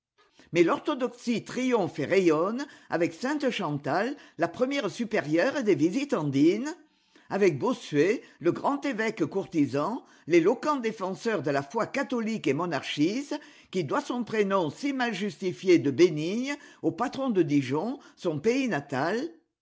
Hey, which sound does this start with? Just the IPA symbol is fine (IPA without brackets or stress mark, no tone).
m